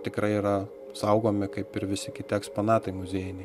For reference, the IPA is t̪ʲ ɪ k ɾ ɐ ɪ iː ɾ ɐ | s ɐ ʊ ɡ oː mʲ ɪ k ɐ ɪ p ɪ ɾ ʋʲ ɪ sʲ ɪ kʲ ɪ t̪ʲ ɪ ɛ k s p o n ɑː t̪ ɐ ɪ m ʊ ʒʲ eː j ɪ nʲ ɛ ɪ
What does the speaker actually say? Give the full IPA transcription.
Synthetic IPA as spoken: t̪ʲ ɪ k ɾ ɐ ɪ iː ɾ ɐ | s ɐ ʊ ɡ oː mʲ ɪ k ɐ ɪ p ɪ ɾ ʋʲ ɪ sʲ ɪ kʲ ɪ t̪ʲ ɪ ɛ k s p o n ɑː t̪ ɐ ɪ m ʊ zʲ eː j ɪ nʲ ɛ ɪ